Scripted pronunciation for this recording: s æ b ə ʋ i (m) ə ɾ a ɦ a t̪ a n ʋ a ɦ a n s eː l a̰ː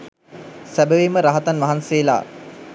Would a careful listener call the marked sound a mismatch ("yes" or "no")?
no